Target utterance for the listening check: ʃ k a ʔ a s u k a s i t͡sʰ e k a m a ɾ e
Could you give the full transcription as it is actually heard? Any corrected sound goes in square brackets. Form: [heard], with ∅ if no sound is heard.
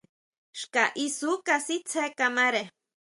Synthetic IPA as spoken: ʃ k a ʔ [i] s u k a s i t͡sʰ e k a m a ɾ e